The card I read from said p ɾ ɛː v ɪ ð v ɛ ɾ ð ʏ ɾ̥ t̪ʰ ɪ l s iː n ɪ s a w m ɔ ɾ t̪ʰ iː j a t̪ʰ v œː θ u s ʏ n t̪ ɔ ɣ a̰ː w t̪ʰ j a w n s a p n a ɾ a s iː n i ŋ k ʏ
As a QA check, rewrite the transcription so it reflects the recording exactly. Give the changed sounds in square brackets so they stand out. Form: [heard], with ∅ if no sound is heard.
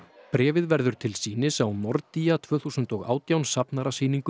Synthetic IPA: p ɾ ɛː v ɪ ð v ɛ ɾ ð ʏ ɾ̥ t̪ʰ ɪ l s iː n ɪ s a w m ɔ ɾ [t̪] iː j a t̪ʰ v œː θ u s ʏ n t̪ ɔ ɣ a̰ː w [t̪] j a w n s a p n a ɾ a s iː n i ŋ k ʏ